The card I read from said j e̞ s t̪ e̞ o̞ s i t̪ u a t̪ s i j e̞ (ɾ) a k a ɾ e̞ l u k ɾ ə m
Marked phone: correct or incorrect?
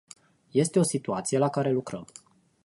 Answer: incorrect